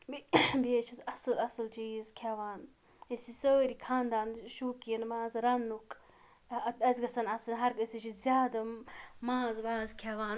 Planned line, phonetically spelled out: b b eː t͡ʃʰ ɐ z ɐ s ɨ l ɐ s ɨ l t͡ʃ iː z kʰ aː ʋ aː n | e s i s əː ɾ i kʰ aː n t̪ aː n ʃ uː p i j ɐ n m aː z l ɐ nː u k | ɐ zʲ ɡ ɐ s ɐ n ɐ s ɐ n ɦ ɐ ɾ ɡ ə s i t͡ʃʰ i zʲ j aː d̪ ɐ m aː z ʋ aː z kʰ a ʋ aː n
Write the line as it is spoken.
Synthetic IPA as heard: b b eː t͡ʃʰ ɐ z ɐ s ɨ l ɐ s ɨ l t͡ʃ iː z kʰ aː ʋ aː n | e s i s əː ɾ i kʰ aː n d̪ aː n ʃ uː k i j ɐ n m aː z ɾ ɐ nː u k | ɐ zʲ ɡ ɐ s ɐ n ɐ s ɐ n ɦ ɐ ɾ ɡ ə s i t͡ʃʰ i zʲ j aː d̪ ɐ m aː z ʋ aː z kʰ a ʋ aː n

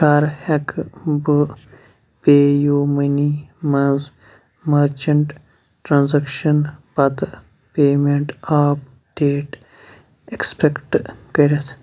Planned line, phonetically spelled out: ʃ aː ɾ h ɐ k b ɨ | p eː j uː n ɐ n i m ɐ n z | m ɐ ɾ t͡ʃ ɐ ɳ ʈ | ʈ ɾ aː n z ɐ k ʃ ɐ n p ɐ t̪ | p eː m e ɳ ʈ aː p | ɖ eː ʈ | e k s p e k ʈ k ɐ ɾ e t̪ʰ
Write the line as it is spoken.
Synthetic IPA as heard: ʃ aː ɾ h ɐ k b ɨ | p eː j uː m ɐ n i m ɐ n z | m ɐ ɾ t͡ʃ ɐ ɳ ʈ | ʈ ɾ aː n z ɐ k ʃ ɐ n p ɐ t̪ | p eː m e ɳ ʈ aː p | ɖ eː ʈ | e k s p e k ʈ k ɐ ɾ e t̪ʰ

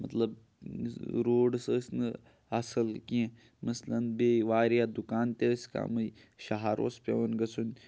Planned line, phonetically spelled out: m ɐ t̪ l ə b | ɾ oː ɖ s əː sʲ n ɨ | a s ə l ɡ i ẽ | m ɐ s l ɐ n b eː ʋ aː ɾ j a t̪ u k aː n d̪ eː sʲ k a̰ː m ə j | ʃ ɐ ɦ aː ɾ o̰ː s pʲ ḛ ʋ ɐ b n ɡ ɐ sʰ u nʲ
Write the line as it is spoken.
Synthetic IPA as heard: m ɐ t̪ l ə b | ɾ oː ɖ s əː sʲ n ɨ | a s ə l k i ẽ | m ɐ s l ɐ n b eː ʋ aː ɾ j a d̪ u k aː n t̪ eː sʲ k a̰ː m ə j | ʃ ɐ ɦ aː ɾ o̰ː s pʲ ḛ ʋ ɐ n ɡ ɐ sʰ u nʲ

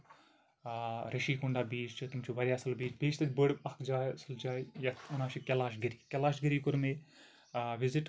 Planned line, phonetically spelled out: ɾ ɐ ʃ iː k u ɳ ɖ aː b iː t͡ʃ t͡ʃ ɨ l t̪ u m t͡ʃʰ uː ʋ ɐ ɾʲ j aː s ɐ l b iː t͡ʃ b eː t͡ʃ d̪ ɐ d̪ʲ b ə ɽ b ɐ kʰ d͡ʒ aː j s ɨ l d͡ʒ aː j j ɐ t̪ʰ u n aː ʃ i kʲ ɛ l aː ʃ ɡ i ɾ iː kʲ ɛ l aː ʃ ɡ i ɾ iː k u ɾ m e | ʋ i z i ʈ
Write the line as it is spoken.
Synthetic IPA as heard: ɾ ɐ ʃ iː k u ɳ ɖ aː b iː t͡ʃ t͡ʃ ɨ t̪ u m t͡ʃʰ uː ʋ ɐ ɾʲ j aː s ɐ l b iː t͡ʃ b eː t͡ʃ t̪ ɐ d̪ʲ b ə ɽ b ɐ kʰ d͡ʒ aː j s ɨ l d͡ʒ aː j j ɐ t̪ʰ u n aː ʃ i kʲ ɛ l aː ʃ ɡ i ɾ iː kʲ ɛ l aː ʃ ɡ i ɾ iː k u ɾ m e | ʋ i z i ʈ

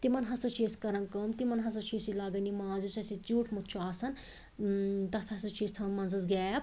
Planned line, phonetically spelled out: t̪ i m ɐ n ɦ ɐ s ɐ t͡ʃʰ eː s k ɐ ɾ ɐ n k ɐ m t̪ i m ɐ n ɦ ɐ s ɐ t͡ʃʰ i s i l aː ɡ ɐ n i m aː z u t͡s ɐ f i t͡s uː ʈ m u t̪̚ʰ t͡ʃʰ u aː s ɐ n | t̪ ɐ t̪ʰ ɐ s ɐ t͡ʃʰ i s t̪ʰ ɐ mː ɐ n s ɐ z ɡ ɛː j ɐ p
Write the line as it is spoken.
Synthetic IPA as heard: t̪ i m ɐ n ɦ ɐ s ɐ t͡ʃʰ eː s k ɐ ɾ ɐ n k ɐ m t̪ i m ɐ n ɦ ɐ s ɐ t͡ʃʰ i s i l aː ɡ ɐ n i m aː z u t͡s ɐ s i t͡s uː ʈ m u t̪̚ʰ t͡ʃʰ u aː s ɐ n | t̪ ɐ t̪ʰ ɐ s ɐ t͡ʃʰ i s t̪ʰ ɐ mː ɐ n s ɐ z ɡ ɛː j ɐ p

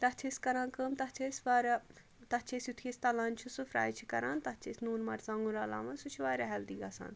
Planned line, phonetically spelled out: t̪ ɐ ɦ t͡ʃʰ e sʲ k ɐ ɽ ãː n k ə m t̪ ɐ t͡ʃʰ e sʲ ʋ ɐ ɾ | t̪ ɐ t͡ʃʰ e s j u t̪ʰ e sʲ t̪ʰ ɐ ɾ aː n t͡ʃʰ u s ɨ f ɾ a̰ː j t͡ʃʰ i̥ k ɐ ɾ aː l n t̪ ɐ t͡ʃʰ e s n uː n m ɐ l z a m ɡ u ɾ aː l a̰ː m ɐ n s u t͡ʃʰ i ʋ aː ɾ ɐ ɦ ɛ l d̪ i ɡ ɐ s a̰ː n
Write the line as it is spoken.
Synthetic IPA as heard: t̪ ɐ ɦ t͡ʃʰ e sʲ k ɐ ɾ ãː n k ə m t̪ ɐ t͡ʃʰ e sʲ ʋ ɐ ɾ | t̪ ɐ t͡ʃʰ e s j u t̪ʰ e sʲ t̪ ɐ l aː n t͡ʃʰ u s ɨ f ɾ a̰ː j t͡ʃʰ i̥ k ɐ ɾ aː n t̪ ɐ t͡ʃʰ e s n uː n m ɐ ɾ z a ŋ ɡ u ɾ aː l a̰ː m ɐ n s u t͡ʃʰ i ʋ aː ɾ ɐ ɦ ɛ l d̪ i ɡ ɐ s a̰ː n

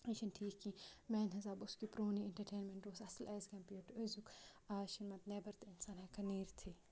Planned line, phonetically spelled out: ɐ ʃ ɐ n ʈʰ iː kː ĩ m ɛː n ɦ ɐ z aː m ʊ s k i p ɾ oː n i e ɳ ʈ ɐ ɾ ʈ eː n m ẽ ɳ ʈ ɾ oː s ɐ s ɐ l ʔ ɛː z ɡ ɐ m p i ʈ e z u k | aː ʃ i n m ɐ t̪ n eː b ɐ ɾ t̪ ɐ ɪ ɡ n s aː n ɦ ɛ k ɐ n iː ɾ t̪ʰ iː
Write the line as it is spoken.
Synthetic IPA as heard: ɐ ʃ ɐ n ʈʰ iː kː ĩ m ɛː n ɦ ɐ z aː b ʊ s k i p ɾ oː n i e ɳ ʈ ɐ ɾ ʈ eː n m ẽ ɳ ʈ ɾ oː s ɐ s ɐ l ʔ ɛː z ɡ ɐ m p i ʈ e z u k | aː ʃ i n m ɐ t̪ n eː b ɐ ɾ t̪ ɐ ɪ n s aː n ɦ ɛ k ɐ n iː ɾ t̪ʰ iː

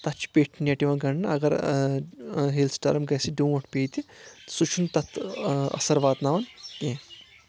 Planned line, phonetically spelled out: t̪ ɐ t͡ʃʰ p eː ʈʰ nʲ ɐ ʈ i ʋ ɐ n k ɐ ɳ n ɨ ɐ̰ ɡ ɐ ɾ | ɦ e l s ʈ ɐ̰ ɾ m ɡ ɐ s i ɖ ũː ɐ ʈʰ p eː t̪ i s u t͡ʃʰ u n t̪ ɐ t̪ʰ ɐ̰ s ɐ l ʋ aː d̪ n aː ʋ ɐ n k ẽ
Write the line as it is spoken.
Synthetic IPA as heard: t̪ ɐ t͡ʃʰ p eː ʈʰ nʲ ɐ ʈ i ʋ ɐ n ɡ ɐ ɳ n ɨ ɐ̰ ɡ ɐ ɾ | ɦ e l s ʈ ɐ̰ ɾ m ɡ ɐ s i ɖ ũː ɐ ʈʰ p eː t̪ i s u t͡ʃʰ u n t̪ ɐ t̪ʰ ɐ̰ s ɐ ɾ ʋ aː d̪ n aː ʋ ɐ n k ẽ

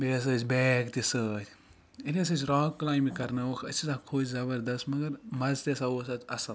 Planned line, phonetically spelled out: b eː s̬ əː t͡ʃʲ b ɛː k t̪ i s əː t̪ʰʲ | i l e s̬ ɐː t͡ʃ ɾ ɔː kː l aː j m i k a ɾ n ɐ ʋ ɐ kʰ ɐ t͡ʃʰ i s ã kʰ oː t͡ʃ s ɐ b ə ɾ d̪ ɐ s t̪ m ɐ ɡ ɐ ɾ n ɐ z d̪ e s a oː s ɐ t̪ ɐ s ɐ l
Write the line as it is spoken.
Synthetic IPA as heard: b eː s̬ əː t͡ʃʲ b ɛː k t̪ i s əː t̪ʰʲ | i l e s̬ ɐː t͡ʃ ɾ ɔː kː l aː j m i k ɐ ɾ n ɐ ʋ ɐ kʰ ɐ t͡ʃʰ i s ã kʰ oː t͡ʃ z ɐ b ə ɾ d̪ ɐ s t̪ m ɐ ɡ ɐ ɾ m ɐ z t̪ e s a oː s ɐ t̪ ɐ s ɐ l

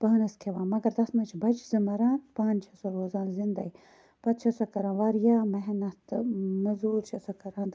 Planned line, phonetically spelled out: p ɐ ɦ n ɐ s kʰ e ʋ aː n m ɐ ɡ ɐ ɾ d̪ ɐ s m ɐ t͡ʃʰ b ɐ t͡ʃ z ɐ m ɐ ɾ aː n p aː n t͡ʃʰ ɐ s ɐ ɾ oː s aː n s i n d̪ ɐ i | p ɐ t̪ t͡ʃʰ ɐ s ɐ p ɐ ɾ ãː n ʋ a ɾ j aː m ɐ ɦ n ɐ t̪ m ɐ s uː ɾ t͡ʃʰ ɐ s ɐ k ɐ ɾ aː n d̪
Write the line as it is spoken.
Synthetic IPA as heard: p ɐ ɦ n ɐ s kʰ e ʋ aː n m ɐ ɡ ɐ ɾ d̪ ɐ s m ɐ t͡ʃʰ b ɐ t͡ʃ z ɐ m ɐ ɾ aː n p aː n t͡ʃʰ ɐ s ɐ ɾ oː z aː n z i n d̪ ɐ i | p ɐ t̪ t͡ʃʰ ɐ s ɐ k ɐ ɾ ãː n ʋ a ɾ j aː m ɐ ɦ n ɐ t̪ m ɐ z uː ɾ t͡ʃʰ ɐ s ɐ k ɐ ɾ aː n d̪

